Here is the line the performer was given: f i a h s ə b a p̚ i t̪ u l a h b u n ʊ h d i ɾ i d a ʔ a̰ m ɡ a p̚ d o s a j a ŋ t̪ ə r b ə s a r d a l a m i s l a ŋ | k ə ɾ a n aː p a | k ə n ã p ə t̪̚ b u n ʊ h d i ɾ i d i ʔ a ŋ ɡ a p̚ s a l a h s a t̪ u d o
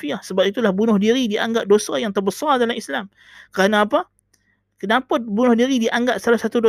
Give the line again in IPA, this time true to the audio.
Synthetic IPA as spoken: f i a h s ə b a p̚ i t̪ u l a h b u n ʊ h d i ɾ i d i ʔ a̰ ŋ ɡ a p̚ d o s a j a ŋ t̪ ə r b ə s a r d a l a m i s l a m | k ə ɾ a n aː p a | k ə n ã p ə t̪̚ b u n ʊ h d i ɾ i d i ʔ a ŋ ɡ a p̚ s a l a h s a t̪ u d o